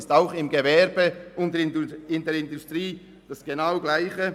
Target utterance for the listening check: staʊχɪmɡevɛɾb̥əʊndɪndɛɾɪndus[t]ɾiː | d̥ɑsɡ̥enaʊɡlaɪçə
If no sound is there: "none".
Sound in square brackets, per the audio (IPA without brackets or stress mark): t